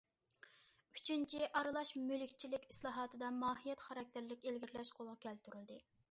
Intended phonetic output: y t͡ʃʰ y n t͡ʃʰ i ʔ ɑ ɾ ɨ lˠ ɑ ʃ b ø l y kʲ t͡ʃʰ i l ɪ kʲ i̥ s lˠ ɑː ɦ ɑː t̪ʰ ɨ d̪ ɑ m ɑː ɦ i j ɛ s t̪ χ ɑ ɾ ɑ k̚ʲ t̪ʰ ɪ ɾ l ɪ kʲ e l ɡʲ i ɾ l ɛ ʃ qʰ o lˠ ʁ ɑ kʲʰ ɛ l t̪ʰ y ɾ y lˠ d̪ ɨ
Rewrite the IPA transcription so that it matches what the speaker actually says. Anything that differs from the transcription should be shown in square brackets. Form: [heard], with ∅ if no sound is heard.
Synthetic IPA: y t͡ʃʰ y n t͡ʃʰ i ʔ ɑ ɾ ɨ lˠ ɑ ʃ [m] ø l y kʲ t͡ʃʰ i l ɪ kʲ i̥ s lˠ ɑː ɦ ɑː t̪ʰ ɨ d̪ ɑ m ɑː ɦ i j ɛ [∅] t̪ χ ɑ ɾ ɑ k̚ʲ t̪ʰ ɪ ɾ l ɪ kʲ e l ɡʲ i ɾ l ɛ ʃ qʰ o lˠ ʁ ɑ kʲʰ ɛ l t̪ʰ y ɾ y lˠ d̪ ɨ